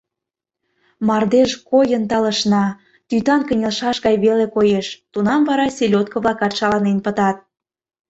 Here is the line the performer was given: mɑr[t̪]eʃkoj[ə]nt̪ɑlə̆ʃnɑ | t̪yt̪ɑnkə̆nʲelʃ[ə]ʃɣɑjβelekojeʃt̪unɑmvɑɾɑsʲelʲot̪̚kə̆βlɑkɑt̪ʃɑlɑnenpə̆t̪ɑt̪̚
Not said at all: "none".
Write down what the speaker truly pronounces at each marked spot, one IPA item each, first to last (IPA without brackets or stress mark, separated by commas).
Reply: d̪, ə, ɑ